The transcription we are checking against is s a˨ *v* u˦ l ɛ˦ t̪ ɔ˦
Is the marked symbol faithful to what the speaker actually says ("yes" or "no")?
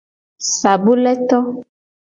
no